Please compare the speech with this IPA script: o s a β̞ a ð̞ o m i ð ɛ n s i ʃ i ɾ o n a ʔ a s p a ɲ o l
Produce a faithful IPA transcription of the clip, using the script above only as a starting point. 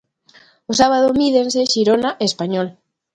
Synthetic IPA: o s a β̞ a ð̞ o m i ð e n s e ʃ i ɾ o n a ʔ e s p a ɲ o l